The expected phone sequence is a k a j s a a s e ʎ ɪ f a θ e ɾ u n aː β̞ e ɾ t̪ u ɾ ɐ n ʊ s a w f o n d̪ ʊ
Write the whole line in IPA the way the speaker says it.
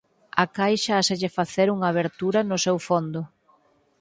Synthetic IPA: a k a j ʃ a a s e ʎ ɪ f a θ e ɾ u ŋ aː β̞ e ɾ t̪ u ɾ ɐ n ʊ s e w f o n d̪ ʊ